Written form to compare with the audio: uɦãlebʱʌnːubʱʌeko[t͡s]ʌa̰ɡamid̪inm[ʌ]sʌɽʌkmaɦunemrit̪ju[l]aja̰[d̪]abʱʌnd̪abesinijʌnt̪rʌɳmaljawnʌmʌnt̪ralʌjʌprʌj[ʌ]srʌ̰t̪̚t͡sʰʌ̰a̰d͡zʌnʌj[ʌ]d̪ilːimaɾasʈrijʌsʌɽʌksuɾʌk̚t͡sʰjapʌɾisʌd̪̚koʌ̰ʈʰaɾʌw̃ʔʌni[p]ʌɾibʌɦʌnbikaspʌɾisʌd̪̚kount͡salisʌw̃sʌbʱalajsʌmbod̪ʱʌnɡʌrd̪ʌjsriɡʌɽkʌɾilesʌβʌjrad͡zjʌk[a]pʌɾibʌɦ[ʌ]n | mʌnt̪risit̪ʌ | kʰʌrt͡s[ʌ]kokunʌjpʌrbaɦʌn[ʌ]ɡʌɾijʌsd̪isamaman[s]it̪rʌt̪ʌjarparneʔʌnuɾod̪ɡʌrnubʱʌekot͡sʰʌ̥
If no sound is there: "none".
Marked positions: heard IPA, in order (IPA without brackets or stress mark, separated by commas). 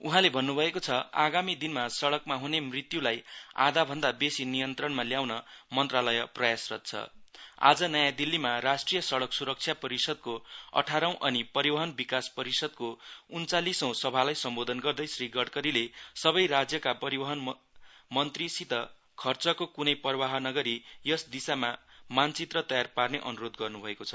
t͡sʰ, a, l, d̪, a, a, p, a, ʌ, ʌ, ʌ, t͡s